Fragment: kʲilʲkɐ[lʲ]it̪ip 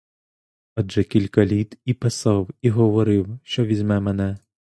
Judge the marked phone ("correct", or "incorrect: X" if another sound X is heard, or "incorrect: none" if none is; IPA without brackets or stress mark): correct